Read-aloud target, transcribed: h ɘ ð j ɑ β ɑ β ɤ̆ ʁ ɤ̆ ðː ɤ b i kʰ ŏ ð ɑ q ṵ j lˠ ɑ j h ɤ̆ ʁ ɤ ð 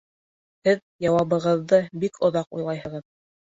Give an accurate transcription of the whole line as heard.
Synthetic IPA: h ɘ ð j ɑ w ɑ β ɤ̆ ʁ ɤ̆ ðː ɤ b i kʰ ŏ ð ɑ q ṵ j lˠ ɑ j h ɤ̆ ʁ ɤ ð